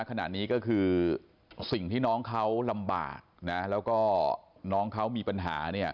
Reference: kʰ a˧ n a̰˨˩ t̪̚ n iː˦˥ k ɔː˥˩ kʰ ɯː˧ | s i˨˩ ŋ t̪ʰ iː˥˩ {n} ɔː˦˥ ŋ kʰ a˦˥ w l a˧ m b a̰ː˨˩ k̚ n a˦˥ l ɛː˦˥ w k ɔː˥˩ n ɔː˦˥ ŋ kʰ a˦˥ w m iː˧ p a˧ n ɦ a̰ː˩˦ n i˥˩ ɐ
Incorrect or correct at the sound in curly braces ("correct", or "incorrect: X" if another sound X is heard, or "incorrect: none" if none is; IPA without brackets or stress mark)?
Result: correct